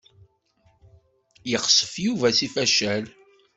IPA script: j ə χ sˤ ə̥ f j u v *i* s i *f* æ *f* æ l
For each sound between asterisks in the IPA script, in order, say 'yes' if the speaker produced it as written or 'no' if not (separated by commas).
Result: no, yes, no